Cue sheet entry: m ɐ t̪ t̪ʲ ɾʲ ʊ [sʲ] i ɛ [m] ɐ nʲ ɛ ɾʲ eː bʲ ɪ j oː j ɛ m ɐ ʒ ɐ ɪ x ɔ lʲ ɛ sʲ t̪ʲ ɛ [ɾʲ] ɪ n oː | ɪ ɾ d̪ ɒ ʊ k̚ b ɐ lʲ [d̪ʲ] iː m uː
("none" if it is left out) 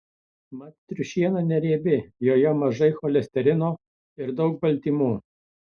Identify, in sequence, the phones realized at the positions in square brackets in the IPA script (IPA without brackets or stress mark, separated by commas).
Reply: ʃʲ, n, ɾʲ, t̪ʲ